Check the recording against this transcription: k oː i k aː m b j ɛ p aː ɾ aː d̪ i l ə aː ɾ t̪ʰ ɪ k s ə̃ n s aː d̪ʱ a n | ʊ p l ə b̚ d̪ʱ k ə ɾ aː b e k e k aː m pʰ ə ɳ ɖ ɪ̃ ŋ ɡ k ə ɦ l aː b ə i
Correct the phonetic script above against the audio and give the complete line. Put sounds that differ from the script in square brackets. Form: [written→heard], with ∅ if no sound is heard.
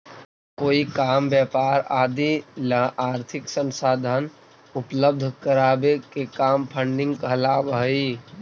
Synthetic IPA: k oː i k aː m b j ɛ p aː ɾ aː d̪ i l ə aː ɾ t̪ʰ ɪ k s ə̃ n s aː d̪ʱ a n | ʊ p l ə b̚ d̪ʱ k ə ɾ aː b e k e k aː m pʰ ə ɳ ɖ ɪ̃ ŋ ɡ k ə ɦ l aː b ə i